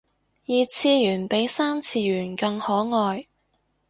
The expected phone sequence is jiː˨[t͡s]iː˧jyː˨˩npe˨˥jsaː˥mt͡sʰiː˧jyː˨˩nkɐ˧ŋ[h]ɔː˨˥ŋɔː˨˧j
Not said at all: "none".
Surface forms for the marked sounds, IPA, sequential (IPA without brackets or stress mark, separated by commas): t͡sʰ, h